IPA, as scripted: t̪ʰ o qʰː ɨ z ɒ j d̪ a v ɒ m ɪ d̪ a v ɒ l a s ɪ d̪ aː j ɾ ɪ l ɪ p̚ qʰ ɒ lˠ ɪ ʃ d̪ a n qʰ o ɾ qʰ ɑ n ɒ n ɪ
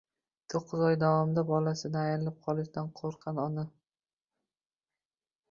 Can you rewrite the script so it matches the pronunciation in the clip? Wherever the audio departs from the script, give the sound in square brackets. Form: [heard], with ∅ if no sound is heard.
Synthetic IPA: t̪ʰ o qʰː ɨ z ɒ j d̪ a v ɒ m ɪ d̪ a [b] ɒ l a s ɪ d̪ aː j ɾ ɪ l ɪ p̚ qʰ ɒ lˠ ɪ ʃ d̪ a n qʰ o ɾ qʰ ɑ n ɒ n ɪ